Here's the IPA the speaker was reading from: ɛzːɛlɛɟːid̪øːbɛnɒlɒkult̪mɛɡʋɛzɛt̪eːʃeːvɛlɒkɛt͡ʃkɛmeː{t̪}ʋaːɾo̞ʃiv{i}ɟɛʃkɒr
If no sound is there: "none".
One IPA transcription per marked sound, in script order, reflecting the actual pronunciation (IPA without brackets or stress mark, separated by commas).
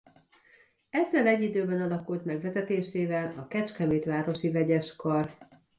t̪, ɛ